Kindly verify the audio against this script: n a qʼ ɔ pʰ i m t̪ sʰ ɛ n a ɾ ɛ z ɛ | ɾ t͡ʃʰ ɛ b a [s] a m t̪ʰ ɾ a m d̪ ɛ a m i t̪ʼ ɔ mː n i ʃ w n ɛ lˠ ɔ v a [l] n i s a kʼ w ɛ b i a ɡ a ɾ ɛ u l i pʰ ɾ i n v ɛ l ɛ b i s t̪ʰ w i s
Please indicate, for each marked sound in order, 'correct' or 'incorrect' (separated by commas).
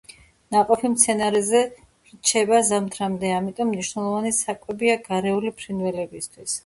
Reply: incorrect, incorrect